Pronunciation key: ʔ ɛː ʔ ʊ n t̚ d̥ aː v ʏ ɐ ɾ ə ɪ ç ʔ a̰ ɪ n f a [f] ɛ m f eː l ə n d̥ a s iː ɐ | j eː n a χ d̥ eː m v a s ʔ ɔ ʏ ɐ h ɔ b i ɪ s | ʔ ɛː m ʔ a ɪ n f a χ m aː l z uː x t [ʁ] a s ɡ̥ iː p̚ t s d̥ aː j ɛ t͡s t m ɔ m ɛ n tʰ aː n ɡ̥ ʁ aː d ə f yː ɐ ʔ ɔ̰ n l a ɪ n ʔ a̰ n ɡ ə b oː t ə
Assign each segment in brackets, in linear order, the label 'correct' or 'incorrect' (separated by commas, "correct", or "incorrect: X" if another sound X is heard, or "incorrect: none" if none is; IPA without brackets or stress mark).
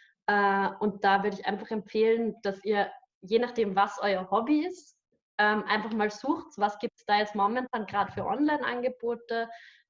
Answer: incorrect: χ, incorrect: v